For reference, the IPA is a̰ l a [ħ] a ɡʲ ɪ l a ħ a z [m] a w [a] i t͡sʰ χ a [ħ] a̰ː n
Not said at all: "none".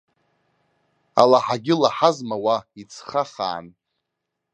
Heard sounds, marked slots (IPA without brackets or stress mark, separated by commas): ħ, m, a, χ